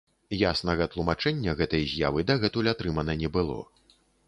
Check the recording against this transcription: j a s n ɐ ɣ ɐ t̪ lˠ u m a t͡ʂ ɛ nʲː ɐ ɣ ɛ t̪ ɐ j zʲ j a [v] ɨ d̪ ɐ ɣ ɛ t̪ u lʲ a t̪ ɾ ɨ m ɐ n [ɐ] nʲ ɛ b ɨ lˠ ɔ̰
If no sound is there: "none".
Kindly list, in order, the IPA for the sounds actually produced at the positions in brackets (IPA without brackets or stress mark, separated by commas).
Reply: v, ɐ